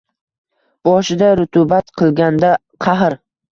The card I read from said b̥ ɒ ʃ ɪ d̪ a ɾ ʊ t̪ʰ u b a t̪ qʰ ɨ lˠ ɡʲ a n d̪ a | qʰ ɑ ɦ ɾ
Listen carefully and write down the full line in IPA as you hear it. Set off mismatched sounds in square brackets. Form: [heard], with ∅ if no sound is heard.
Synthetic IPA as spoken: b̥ ɒ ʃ ɪ d̪ a ɾ ʊ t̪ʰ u b a t̪ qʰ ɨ lˠ ɡʲ a n d̪ a | qʰ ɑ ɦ ɾ

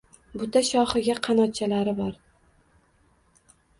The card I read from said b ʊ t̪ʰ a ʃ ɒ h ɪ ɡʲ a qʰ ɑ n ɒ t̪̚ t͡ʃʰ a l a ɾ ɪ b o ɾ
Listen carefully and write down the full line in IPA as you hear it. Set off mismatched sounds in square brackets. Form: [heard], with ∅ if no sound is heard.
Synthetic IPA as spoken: b ʊ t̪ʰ a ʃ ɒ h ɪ ɡʲ a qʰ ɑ n ɒ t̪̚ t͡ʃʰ a l a ɾ ɪ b [ɒ] ɾ

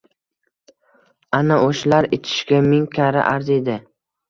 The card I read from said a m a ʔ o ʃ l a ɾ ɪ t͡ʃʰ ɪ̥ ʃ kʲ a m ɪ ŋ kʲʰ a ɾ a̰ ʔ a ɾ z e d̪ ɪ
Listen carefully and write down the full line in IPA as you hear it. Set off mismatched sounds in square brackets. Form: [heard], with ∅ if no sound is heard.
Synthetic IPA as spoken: a [n] a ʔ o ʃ l a ɾ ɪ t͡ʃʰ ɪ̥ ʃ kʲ a m ɪ ŋ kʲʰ a ɾ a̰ ʔ a ɾ z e d̪ ɪ

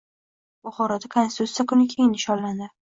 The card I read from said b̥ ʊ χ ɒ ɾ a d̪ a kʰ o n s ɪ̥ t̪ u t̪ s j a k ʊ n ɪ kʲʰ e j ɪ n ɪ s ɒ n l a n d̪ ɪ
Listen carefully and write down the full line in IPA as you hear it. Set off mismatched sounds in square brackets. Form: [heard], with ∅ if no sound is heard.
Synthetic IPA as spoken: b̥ ʊ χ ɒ ɾ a d̪ a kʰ o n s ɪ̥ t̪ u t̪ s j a k ʊ n ɪ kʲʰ e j ɪ n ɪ [ʃ] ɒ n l a n d̪ ɪ

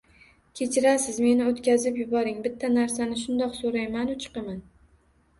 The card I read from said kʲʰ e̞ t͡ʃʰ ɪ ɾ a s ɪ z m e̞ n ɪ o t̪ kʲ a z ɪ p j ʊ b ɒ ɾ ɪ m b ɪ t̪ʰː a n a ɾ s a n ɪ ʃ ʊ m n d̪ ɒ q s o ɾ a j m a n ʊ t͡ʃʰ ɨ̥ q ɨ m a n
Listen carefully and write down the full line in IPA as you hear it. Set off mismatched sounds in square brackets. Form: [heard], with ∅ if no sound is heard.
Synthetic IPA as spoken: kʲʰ e̞ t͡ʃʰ ɪ ɾ a s ɪ z m e̞ n ɪ o t̪ kʲ a z ɪ p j ʊ b ɒ ɾ ɪ [ŋ] b ɪ t̪ʰː a n a ɾ s a n ɪ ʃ ʊ [∅] n d̪ ɒ q s o ɾ a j m a n ʊ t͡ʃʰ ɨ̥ q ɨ m a n

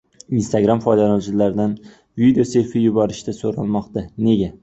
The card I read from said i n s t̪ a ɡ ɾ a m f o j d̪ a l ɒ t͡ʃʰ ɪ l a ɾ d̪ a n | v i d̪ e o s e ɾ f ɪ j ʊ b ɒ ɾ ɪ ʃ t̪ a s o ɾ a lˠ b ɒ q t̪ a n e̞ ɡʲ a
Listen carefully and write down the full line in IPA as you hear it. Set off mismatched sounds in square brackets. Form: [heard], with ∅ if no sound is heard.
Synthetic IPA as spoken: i n s t̪ a ɡ ɾ a m f [ɒ] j d̪ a l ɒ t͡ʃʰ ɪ l a ɾ d̪ a n | v i d̪ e o s e ɾ f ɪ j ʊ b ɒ ɾ ɪ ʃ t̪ a s o ɾ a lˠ [m] ɒ q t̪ a n e̞ ɡʲ a

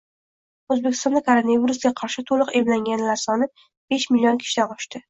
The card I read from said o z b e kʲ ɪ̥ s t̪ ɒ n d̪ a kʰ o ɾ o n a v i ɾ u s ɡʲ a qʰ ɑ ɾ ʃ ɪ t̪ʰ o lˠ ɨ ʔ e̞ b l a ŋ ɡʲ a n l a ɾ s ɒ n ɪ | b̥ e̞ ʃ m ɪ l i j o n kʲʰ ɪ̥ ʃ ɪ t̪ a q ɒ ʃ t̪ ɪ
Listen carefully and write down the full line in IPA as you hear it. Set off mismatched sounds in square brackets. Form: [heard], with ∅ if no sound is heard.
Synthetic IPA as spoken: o z b e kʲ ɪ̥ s t̪ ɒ n d̪ a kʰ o ɾ o n a v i ɾ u s ɡʲ a qʰ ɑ ɾ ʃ ɪ t̪ʰ o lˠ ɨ [q] e̞ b l a ŋ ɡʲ a n l a ɾ s ɒ n ɪ | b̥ e̞ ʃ m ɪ l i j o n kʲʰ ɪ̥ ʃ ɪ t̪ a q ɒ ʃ t̪ ɪ

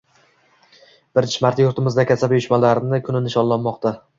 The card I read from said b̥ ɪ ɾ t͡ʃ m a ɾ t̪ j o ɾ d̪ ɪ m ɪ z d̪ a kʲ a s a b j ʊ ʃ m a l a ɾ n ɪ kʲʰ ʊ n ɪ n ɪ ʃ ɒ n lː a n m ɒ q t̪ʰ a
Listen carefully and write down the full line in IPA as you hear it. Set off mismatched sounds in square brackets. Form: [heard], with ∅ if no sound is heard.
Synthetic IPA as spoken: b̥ ɪ ɾ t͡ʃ m a ɾ t̪ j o ɾ [t̪] ɪ m ɪ z d̪ a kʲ a s a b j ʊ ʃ m a l a ɾ n ɪ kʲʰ ʊ n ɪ n ɪ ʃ ɒ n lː a n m ɒ q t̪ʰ a

